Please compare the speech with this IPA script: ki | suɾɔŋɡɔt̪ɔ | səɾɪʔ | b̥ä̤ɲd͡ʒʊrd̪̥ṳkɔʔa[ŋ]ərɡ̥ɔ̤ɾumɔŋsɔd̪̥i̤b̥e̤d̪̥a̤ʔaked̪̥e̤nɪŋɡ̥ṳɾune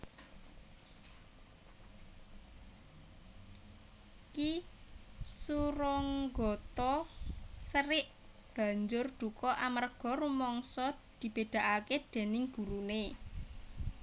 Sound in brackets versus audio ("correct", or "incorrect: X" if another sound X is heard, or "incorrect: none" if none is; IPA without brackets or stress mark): incorrect: m